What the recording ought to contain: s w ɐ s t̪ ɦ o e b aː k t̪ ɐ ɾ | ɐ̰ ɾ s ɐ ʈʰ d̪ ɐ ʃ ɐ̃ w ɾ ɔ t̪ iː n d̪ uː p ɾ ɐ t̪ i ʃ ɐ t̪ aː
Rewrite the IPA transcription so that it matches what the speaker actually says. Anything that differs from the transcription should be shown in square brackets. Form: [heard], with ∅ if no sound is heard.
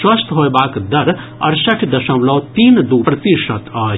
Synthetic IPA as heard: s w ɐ s t̪ ɦ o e b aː k [d̪] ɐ ɾ | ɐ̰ ɾ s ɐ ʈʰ d̪ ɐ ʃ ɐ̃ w [l] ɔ t̪ iː n d̪ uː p ɾ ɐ t̪ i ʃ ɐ t̪ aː